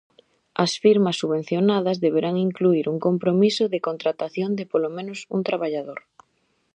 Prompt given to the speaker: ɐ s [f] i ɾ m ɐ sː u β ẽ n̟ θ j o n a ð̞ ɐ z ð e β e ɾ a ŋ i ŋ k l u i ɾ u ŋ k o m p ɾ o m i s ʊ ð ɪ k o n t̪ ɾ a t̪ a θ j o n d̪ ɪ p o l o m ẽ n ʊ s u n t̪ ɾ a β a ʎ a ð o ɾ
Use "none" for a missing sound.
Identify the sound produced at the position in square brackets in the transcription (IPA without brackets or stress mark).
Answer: f